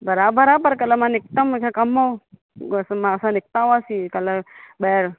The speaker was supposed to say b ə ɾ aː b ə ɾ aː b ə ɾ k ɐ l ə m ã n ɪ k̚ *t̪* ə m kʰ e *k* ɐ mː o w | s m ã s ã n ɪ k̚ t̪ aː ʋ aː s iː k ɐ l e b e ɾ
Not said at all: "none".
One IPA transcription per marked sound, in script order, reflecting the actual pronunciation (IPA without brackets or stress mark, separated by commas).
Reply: t̪, k